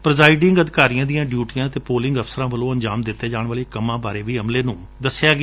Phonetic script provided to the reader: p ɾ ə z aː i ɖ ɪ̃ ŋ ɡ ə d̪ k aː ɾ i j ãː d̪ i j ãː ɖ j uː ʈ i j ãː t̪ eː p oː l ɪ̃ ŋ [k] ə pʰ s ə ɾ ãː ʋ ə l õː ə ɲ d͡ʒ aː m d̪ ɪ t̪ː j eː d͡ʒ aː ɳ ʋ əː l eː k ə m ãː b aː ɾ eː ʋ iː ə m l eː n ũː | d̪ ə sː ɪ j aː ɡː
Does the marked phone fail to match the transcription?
yes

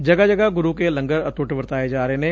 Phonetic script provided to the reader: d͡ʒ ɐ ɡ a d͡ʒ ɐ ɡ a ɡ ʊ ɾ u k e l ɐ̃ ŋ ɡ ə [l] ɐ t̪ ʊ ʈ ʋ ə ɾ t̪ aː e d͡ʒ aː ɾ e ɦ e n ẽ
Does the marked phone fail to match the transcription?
yes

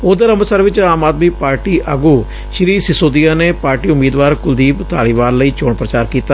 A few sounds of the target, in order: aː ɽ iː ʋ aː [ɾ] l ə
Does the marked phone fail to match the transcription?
no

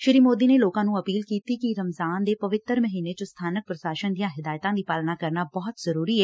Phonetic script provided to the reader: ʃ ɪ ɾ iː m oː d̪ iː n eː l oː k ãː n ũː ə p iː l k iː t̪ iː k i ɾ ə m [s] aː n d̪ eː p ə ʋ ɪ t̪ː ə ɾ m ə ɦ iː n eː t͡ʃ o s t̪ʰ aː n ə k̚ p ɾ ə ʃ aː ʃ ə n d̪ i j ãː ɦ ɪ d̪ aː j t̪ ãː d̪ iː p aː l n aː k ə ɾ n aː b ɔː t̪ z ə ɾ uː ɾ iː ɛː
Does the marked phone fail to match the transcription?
yes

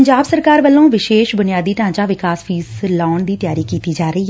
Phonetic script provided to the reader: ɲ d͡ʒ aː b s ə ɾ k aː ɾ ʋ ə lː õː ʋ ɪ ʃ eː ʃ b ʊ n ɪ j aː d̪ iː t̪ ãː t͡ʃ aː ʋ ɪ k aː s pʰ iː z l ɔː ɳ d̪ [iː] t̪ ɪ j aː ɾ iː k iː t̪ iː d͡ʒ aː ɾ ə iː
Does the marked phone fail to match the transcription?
no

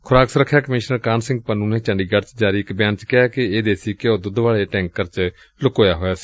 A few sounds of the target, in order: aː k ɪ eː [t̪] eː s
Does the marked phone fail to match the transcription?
yes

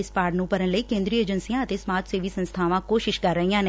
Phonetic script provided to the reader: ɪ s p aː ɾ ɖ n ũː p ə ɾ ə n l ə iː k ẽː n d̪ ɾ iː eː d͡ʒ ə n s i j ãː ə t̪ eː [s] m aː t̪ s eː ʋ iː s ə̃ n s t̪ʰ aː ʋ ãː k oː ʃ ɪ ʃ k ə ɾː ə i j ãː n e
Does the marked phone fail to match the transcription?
no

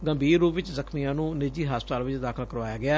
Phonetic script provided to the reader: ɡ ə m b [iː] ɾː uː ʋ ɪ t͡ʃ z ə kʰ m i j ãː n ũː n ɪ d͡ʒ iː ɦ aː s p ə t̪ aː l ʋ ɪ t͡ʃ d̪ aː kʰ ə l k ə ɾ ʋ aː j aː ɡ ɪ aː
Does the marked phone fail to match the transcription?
no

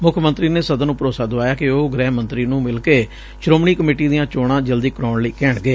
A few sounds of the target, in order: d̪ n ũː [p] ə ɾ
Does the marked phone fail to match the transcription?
no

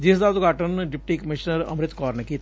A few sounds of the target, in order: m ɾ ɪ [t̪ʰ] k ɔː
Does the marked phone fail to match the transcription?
yes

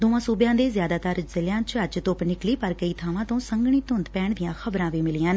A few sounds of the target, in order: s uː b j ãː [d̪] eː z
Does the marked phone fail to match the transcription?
no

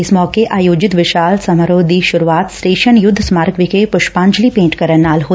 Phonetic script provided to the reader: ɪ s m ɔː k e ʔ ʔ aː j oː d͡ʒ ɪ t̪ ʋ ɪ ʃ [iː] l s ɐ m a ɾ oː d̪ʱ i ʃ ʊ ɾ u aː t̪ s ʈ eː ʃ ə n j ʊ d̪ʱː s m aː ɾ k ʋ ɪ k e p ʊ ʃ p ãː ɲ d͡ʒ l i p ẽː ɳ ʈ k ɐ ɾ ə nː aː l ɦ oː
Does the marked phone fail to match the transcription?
yes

